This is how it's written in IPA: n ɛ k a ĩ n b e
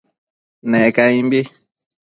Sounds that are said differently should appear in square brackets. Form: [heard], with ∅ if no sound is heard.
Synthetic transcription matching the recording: n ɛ k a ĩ [m] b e